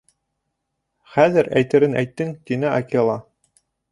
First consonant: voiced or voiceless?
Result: voiceless